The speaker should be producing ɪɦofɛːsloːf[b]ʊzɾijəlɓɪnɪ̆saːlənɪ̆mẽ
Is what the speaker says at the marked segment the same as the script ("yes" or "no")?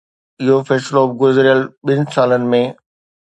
no